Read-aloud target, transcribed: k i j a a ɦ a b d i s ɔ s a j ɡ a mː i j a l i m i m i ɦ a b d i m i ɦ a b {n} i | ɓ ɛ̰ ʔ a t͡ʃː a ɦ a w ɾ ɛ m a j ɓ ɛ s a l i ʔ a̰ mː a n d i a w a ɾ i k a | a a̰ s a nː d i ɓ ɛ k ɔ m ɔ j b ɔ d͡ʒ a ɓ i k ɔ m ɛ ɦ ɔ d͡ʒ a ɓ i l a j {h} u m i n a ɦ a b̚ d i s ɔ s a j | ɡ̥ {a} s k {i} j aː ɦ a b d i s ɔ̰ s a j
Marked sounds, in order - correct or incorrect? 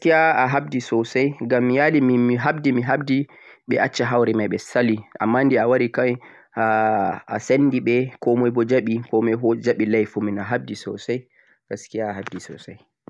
incorrect, incorrect, correct, correct

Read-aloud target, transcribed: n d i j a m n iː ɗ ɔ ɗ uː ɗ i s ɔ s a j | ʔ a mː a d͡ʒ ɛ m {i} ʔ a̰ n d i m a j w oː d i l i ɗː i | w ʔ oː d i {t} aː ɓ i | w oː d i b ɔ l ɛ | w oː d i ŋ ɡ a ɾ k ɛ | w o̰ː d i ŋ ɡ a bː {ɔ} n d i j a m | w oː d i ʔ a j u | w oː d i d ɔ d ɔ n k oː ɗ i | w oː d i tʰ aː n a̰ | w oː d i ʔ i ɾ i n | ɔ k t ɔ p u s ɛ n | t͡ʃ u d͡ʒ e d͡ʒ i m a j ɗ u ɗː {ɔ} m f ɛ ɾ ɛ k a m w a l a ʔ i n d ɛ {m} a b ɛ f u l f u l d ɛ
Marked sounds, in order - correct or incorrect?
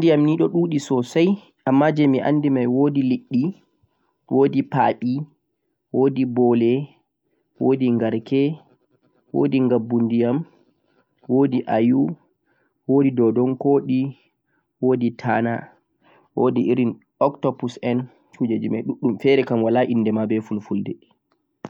correct, incorrect, incorrect, incorrect, correct

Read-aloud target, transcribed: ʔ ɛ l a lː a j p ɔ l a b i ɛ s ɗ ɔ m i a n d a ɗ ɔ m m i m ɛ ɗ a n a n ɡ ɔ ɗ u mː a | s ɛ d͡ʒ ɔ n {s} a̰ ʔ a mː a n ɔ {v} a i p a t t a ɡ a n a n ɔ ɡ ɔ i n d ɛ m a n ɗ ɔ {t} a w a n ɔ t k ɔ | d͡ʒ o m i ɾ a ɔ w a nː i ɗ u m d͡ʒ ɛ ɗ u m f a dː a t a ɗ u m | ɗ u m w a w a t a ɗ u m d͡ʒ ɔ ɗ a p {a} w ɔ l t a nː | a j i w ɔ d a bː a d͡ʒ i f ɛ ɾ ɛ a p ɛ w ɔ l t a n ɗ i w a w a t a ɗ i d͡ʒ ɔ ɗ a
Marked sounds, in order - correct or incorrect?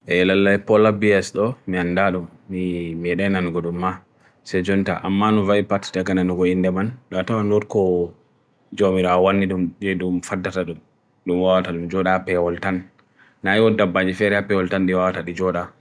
incorrect, correct, correct, incorrect

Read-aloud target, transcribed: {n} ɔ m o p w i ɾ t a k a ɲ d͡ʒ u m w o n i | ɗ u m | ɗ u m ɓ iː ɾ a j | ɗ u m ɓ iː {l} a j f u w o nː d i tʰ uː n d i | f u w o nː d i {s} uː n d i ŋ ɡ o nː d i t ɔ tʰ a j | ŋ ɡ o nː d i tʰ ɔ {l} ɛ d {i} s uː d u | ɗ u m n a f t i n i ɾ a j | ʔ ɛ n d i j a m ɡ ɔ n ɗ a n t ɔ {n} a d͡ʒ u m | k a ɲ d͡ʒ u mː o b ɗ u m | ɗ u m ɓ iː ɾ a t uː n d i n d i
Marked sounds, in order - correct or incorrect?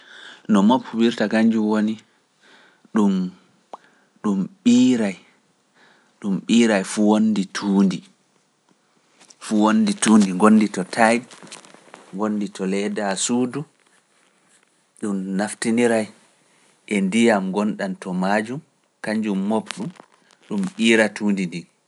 correct, incorrect, incorrect, correct, incorrect, incorrect

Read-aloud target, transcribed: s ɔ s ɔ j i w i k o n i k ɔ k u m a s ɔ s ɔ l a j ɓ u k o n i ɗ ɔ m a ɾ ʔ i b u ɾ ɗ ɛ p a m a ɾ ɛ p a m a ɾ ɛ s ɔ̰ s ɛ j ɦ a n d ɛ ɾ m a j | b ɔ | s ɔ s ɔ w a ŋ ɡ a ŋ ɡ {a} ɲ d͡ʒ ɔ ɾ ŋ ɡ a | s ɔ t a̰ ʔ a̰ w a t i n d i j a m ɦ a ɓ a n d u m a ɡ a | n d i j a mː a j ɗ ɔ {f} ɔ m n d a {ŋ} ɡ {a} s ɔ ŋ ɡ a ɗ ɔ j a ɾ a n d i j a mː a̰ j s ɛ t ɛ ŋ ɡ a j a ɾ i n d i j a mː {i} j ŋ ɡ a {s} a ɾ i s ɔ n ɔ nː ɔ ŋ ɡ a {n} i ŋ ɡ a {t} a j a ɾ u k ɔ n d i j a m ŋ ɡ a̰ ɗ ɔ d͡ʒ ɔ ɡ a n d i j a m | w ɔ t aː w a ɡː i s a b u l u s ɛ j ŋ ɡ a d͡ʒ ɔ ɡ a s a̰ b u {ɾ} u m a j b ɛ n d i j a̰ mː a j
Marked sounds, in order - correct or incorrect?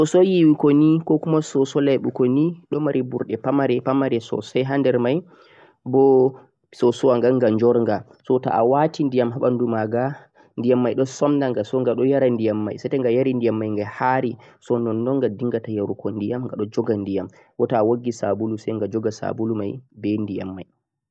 correct, incorrect, correct, correct, incorrect, incorrect, incorrect, correct, incorrect

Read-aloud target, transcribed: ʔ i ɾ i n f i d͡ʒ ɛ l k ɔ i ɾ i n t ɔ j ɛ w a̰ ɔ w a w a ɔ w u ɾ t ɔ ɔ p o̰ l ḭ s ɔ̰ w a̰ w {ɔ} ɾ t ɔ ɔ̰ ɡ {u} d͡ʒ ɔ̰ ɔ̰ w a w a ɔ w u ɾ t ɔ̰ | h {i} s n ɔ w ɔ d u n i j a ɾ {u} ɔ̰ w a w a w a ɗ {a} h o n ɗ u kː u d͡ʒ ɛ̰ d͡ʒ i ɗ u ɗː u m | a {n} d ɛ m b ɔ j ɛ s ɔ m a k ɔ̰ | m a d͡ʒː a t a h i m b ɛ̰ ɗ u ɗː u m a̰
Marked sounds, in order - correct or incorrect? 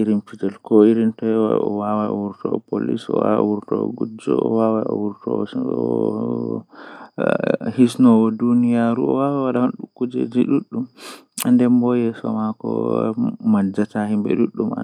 incorrect, correct, correct, correct, correct, correct

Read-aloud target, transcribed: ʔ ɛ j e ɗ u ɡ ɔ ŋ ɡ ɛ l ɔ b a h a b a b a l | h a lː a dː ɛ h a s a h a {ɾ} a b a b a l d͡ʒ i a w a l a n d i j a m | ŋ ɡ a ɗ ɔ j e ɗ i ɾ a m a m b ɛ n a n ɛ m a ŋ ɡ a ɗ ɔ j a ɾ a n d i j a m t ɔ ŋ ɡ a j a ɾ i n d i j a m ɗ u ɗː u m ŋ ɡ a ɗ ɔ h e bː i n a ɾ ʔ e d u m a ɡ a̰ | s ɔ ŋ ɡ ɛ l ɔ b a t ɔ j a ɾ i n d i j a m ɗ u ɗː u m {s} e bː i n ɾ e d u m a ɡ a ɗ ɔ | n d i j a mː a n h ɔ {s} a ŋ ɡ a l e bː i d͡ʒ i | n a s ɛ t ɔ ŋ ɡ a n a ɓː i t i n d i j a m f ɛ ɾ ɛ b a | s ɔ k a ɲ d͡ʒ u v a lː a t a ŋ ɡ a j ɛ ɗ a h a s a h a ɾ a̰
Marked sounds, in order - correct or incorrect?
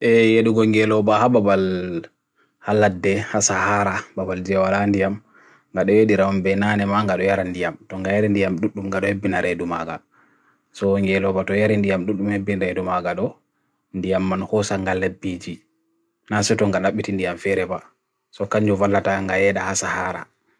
correct, incorrect, correct

